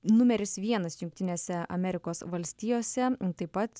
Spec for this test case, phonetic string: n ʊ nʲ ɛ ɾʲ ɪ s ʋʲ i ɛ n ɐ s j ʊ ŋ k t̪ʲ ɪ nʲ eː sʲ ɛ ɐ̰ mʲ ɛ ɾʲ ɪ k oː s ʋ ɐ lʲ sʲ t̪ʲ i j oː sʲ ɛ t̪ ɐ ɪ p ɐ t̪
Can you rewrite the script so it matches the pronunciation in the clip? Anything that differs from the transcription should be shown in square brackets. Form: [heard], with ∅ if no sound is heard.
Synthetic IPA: n ʊ [mʲ] ɛ ɾʲ ɪ s ʋʲ i ɛ n ɐ s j ʊ ŋ k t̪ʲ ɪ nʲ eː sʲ ɛ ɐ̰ mʲ ɛ ɾʲ ɪ k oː s ʋ ɐ lʲ sʲ t̪ʲ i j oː sʲ ɛ t̪ ɐ ɪ p ɐ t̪